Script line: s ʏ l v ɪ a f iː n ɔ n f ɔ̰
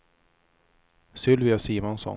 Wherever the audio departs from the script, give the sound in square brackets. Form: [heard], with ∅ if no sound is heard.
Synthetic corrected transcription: s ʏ l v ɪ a [s] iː [m] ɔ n [s] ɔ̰